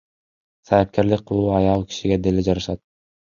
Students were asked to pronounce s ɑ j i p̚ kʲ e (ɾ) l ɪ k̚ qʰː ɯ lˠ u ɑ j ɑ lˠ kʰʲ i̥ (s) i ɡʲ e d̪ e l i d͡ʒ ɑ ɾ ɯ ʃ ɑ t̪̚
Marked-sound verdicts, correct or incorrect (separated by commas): correct, incorrect